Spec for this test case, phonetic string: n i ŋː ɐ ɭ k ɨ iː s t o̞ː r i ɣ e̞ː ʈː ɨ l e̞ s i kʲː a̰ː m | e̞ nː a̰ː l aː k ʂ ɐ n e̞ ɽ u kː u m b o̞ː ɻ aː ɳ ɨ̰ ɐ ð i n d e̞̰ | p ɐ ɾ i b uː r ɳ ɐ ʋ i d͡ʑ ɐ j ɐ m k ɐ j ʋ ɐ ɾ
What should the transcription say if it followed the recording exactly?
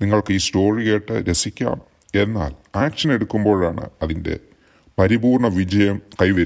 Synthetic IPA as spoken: n i ŋː ɐ ɭ k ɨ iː s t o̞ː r i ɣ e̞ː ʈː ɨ ɾ e̞ s i kʲː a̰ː m | e̞ nː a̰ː l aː k ʂ ɐ n e̞ ɽ u kː u m b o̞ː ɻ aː ɳ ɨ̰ ɐ ð i n d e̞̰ | p ɐ ɾ i b uː r ɳ ɐ ʋ i d͡ʑ ɐ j ɐ m k ɐ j ʋ ɐ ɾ